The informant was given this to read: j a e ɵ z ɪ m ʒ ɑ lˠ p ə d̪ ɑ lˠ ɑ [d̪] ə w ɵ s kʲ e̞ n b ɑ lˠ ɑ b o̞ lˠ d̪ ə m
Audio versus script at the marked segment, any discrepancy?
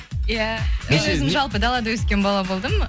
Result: no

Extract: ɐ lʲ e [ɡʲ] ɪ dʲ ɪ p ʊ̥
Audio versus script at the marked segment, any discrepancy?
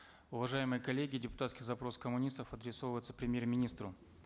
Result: no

